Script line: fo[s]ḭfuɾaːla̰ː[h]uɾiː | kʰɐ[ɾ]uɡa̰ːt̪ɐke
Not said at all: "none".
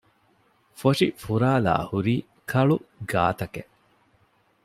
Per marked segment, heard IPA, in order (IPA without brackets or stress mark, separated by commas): ʂ, h, ɭ